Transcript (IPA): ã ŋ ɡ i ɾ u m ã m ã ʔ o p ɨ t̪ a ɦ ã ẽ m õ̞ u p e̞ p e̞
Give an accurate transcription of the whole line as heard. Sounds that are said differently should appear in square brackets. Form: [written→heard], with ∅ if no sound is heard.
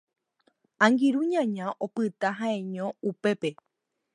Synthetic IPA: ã ŋ ɡ i ɾ u [m→ɲ] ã [m→ɲ] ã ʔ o p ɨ t̪ a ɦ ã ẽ [m→ɲ] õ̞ u p e̞ p e̞